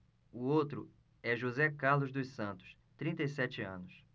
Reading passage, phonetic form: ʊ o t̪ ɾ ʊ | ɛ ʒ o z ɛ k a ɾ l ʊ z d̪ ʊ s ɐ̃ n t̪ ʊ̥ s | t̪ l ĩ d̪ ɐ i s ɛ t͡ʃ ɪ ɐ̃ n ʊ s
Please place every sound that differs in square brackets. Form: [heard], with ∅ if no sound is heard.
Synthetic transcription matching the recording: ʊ o t̪ ɾ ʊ | ɛ ʒ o z ɛ k a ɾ l ʊ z d̪ ʊ s ɐ̃ n t̪ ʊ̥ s | t̪ [ɾ] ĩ [t̪] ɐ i s ɛ t͡ʃ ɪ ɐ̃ n ʊ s